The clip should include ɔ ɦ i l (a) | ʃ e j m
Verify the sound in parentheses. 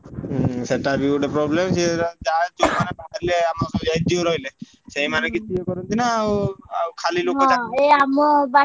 incorrect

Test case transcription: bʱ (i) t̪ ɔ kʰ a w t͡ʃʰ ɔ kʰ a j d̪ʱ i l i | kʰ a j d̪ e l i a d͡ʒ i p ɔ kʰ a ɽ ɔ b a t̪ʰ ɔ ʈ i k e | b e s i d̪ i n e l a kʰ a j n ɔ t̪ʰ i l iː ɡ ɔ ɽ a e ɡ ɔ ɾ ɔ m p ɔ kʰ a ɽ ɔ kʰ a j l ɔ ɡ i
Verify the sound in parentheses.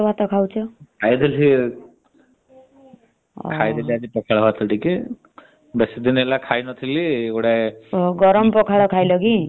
incorrect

